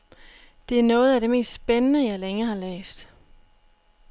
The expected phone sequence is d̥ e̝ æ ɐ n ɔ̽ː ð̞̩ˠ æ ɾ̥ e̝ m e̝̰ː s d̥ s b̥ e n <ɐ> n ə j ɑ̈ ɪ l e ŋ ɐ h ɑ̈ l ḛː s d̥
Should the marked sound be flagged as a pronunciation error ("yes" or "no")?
yes